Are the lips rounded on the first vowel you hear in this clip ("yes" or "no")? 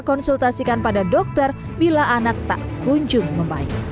yes